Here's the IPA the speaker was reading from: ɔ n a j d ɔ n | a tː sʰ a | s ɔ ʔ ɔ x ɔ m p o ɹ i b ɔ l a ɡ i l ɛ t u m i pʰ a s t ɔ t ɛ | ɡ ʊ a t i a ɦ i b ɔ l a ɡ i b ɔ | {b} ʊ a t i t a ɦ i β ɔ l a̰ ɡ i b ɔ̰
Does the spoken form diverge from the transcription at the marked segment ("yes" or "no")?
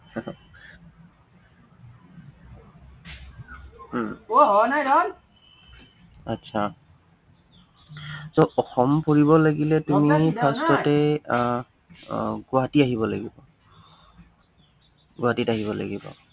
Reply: yes